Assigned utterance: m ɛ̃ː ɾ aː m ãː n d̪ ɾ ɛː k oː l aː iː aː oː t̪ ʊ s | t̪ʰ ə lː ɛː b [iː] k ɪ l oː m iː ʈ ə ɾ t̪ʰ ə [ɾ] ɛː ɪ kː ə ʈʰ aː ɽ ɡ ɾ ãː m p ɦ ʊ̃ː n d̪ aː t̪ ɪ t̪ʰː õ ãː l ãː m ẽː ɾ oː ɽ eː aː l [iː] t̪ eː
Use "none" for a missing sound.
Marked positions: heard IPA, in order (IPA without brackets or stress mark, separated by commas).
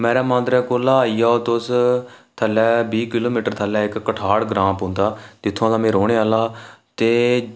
iː, l, aː